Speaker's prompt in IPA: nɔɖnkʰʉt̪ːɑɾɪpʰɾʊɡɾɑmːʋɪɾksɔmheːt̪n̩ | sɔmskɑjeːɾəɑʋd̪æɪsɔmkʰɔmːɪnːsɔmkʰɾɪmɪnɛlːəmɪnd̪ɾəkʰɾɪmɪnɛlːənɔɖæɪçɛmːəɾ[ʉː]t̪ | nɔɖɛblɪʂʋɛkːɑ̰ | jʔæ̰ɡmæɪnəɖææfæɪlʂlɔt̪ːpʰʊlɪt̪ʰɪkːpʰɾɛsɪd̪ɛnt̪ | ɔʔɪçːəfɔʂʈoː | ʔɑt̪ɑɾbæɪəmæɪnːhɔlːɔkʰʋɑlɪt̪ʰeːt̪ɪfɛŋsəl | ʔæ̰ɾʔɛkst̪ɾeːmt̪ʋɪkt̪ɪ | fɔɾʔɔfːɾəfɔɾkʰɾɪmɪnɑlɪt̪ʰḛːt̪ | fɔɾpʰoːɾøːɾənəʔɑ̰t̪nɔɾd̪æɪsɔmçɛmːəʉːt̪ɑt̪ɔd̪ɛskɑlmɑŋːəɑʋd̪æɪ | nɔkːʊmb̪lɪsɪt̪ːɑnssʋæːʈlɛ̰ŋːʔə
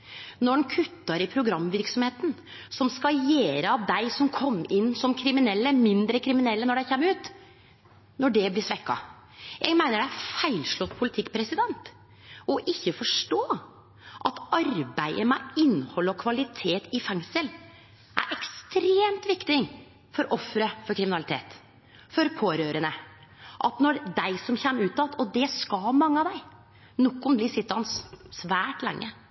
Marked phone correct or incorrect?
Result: correct